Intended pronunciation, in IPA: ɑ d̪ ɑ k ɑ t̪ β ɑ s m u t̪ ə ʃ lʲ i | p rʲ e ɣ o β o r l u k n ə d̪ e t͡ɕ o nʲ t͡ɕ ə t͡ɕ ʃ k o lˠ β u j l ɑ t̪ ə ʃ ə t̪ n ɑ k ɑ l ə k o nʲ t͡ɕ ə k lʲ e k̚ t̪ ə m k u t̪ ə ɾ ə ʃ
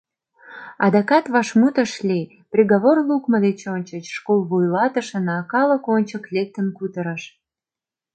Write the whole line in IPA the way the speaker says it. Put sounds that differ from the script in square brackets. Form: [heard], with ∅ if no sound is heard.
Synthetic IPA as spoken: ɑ d̪ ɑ k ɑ t̪ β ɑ [ʃ] m u t̪ ə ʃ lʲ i | p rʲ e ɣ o β o r l u k [m] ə d̪ e t͡ɕ o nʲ t͡ɕ ə t͡ɕ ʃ k o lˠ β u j l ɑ t̪ ə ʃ ə [∅] n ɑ k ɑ l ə k o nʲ t͡ɕ ə k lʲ e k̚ t̪ ə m k u t̪ ə ɾ ə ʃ